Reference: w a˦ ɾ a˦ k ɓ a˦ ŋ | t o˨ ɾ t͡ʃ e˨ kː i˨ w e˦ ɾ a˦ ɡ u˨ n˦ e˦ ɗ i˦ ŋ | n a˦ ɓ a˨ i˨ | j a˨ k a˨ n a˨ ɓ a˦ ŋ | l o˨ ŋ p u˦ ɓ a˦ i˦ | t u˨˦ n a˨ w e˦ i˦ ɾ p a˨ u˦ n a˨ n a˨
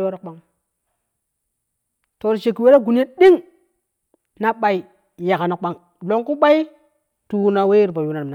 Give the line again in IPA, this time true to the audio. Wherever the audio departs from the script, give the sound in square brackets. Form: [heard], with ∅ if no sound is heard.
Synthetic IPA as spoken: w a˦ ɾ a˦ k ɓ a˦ ŋ | t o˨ ɾ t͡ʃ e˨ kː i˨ w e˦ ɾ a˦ ɡ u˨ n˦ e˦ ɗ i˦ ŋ | n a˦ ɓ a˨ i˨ | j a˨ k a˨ n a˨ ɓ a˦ ŋ | l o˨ ŋ [k] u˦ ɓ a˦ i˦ | t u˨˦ n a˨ w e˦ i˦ ɾ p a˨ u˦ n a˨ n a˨